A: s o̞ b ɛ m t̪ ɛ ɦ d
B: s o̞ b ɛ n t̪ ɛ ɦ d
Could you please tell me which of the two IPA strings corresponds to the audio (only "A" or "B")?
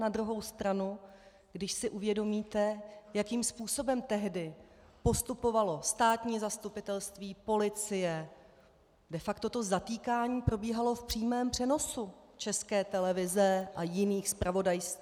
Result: A